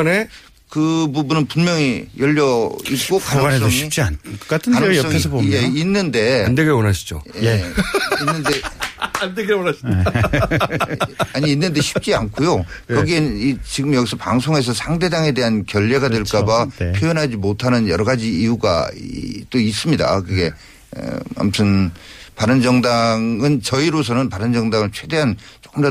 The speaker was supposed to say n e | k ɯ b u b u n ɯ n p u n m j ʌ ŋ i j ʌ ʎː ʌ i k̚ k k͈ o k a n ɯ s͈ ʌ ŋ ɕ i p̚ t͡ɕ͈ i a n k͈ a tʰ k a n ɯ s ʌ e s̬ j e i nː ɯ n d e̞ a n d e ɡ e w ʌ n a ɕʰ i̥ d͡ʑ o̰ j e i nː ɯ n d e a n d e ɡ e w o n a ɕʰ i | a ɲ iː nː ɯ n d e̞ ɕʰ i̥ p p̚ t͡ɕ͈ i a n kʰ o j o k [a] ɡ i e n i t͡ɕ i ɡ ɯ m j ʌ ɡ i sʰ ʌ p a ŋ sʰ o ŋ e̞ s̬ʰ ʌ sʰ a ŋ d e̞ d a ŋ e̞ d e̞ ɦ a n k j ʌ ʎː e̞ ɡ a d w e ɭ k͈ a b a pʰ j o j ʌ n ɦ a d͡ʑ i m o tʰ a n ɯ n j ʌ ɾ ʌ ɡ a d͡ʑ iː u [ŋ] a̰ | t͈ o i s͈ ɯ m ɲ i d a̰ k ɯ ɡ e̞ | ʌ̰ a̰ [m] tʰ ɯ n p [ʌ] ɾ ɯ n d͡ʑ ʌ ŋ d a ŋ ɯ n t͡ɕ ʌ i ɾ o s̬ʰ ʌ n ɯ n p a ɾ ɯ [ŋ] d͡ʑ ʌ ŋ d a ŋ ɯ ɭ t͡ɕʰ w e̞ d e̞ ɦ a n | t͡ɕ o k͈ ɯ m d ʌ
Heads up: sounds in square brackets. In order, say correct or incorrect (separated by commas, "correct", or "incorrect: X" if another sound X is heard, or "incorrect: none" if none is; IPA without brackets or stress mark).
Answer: incorrect: ʌ, incorrect: ɡ, correct, incorrect: a, incorrect: n